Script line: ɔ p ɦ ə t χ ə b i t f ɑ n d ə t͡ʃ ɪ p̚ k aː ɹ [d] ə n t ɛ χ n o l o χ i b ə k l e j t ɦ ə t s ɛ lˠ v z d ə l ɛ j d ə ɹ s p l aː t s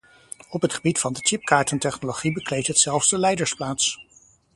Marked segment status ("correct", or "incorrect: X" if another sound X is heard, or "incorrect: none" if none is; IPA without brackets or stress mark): incorrect: t